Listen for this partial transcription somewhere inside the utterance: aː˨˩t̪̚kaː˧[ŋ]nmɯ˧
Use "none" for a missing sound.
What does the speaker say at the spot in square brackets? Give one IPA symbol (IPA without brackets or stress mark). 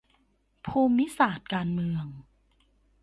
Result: none